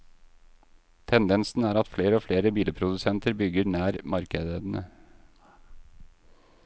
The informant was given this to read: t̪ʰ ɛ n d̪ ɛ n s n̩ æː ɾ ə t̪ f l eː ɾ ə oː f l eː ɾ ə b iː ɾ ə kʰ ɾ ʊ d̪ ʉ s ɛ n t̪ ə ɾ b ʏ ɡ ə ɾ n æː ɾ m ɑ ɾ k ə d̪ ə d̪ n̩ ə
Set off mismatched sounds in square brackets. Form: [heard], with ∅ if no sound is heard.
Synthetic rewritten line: t̪ʰ ɛ n d̪ ɛ n s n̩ æː ɾ [ɑ] t̪ f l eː ɾ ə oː f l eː ɾ ə b iː [l] ə [pʰ] ɾ ʊ d̪ ʉ s ɛ n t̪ ə ɾ b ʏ ɡ ə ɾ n æː ɾ m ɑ ɾ k ə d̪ ə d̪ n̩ ə